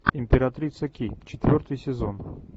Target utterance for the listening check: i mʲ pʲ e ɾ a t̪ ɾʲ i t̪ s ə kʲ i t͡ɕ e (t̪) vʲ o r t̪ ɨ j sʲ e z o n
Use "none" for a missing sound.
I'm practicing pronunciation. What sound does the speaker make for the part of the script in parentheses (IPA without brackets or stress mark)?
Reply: t̪